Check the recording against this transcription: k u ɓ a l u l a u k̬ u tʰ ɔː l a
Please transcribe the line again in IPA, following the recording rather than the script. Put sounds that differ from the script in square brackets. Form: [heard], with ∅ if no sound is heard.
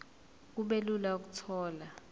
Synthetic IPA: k u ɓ [e] l u l a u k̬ u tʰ ɔː l a